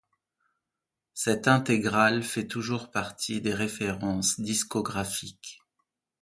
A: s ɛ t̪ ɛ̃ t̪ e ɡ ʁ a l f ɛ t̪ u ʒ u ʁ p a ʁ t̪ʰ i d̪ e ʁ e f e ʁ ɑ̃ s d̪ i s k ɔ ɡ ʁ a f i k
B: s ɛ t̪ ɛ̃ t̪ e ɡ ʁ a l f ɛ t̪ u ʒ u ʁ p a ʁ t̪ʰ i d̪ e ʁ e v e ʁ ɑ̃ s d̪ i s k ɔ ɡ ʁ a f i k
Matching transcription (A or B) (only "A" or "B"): A